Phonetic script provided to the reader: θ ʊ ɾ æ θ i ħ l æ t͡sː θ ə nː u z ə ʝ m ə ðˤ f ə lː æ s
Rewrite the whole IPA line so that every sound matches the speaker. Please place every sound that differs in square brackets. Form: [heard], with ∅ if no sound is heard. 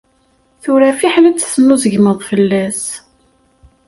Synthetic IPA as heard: θ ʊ ɾ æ [f] i ħ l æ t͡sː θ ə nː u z ə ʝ m ə ðˤ f ə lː æ s